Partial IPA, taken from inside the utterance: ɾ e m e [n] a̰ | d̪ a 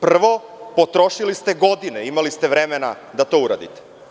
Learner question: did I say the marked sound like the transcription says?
yes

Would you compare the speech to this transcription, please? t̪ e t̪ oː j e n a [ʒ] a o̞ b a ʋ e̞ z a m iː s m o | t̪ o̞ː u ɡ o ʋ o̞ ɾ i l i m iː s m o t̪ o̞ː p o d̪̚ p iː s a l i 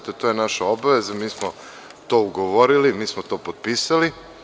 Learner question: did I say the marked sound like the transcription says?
no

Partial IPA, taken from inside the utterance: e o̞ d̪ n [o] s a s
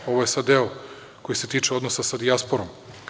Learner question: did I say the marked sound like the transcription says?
yes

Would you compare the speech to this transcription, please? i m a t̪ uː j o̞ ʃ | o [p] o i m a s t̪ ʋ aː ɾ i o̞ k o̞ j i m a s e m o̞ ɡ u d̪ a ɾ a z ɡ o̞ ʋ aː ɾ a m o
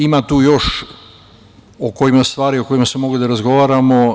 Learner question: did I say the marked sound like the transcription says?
no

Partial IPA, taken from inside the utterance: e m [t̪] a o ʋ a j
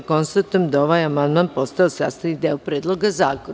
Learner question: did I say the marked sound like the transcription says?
no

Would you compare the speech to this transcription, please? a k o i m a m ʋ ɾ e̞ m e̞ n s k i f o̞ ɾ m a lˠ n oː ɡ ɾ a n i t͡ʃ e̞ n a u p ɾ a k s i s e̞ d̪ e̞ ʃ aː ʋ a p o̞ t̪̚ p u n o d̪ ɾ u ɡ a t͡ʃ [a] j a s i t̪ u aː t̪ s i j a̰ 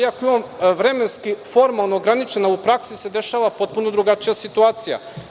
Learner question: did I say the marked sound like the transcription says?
no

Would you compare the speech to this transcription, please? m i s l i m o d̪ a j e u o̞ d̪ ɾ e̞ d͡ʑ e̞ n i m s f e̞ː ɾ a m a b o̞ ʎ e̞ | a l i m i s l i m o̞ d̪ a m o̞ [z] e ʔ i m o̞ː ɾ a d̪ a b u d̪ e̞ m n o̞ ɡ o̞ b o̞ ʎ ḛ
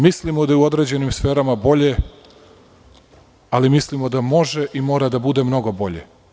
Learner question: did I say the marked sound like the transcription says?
no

